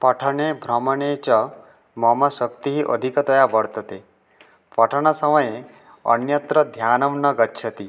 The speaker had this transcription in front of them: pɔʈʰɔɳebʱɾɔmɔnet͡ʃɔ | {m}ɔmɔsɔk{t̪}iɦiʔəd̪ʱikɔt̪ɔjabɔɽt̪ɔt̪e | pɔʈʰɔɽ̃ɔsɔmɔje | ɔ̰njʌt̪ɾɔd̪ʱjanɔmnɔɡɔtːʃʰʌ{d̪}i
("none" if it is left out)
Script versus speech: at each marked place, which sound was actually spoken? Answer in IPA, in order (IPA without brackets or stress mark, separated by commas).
m, t̪, t̪